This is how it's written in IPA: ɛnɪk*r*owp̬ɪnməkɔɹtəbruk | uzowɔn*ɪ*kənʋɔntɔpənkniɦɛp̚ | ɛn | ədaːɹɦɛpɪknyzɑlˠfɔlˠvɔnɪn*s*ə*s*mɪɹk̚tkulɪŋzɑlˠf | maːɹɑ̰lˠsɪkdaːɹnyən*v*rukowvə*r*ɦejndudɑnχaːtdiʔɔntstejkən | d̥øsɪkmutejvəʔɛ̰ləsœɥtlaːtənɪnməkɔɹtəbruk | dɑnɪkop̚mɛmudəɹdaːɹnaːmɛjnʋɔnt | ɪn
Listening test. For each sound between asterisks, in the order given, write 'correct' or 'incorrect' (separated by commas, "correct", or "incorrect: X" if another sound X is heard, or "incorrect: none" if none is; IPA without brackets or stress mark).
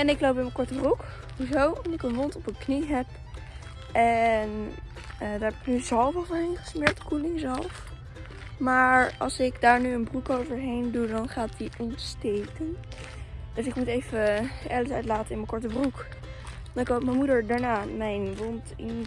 incorrect: l, correct, incorrect: χ, correct, incorrect: b, incorrect: ɹ